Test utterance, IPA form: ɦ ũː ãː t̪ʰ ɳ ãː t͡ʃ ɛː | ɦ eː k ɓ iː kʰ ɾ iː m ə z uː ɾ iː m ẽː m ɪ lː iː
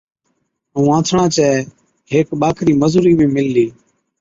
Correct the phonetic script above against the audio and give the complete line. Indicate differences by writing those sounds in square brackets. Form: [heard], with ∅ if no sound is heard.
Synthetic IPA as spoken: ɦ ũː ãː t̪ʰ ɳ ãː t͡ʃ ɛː | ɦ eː k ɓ [aː] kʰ ɾ iː m ə z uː ɾ iː m ẽː m ɪ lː iː